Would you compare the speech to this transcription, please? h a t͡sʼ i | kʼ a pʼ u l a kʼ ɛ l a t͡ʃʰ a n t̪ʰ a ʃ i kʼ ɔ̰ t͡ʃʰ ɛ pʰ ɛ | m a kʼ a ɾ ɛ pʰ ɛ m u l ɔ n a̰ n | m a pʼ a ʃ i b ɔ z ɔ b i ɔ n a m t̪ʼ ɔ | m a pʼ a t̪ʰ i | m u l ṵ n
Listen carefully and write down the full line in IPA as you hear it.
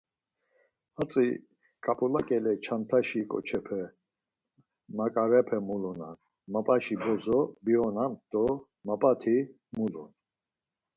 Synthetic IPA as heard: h a t͡sʼ i | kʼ a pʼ u l a kʼ ɛ l ɛ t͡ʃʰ a n t̪ʰ a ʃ i kʼ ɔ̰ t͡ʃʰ ɛ pʰ ɛ | m a kʼ a ɾ ɛ pʰ ɛ m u l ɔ n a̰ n | m a pʼ a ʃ i b ɔ z ɔ b i ɔ n a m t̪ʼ ɔ | m a pʼ a t̪ʰ i | m u l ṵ n

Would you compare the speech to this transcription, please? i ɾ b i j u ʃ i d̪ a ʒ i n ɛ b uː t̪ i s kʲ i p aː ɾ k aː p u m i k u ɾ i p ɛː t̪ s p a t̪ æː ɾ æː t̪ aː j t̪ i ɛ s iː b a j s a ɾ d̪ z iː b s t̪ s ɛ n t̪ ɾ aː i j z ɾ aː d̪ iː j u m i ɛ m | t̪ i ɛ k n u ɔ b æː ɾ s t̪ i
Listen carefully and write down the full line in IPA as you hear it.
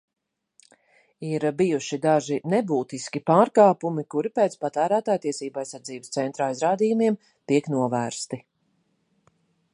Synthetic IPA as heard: i ɾ b i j u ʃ i d̪ a ʒ i n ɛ b uː t̪ i s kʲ i p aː ɾ k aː p u m i k u ɾ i p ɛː t̪ s p a t̪ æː ɾ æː t̪ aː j t̪ i ɛ s iː b a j s a ɾ d̪ z iː b s t̪ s ɛ n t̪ ɾ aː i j z ɾ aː d̪ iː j u m i ɛ m | t̪ i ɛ k n u ɔ v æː ɾ s t̪ i

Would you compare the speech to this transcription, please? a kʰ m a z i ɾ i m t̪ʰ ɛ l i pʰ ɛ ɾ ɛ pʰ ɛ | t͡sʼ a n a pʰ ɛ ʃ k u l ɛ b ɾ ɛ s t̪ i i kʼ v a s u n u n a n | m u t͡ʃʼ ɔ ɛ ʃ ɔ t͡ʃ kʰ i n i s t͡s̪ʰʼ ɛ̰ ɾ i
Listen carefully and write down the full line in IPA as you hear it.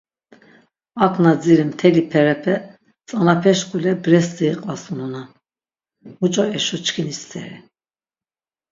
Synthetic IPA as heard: a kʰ n a d͡z i ɾ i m t̪ʰ ɛ l i pʰ ɛ ɾ ɛ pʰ ɛ | t͡sʼ a n a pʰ ɛ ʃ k u l ɛ b ɾ ɛ s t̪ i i qʼ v a s u n u n a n | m u t͡ʃʼ ɔ ɛ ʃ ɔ t͡ʃ kʰ i n i s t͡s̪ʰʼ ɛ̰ ɾ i

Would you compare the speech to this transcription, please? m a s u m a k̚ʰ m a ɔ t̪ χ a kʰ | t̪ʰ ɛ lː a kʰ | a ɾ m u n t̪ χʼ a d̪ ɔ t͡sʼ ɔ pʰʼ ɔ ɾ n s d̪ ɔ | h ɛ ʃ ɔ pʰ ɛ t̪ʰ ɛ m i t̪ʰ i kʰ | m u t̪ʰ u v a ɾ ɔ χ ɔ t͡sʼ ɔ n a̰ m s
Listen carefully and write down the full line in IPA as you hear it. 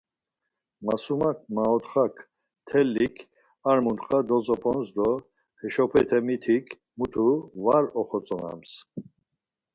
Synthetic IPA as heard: m a s u m a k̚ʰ m a ɔ t̪ χ a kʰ | t̪ʰ ɛ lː i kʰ | a ɾ m u n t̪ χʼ a d̪ ɔ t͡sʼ ɔ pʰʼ ɔ n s d̪ ɔ | h ɛ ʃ ɔ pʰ ɛ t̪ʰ ɛ m i t̪ʰ i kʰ | m u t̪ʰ u v a ɾ ɔ χ ɔ t͡sʼ ɔ n a̰ m s

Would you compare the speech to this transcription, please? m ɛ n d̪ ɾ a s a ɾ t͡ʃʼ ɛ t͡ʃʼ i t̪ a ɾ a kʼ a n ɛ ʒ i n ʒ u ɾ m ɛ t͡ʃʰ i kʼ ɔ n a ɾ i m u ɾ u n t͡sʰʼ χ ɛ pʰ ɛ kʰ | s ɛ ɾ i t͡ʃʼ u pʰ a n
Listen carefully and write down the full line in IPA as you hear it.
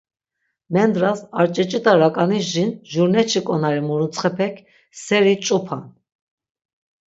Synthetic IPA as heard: m ɛ n d̪ ɾ a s a ɾ t͡ʃʼ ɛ t͡ʃʼ i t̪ a ɾ a kʼ a n i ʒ i n ʒ u ɾ n ɛ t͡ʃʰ i kʼ ɔ n a ɾ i m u ɾ u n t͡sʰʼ χ ɛ pʰ ɛ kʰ | s ɛ ɾ i t͡ʃʼ u pʰ a n

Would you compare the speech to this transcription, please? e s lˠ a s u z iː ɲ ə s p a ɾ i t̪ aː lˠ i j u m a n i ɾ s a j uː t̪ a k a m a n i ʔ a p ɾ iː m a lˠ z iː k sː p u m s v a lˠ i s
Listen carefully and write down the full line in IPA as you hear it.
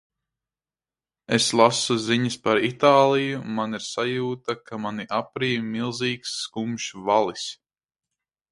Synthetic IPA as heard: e s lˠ a s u z i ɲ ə s p a ɾ i t̪ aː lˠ i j u m a n i ɾ s a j uː t̪ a k a m a n i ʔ a p ɾ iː m i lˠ z iː k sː k u m ʃ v a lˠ i s

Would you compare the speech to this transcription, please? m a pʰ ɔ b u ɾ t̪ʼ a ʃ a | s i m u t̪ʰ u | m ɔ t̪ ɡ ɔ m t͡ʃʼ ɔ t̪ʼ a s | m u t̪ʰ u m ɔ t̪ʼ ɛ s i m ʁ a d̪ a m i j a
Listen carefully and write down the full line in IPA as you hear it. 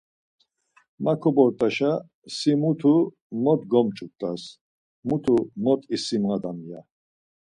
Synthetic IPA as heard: m a kʰ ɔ b ɔ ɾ t̪ʼ a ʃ a | s i m u t̪ʰ u | m ɔ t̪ ɡ ɔ m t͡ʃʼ u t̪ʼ a s | m u t̪ʰ u m ɔ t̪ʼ i s i m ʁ a d̪ a m i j a

